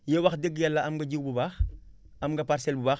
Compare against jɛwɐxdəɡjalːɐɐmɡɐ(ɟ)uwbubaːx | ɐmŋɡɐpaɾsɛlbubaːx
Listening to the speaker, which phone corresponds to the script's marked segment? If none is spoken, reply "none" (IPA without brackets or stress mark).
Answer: ɟ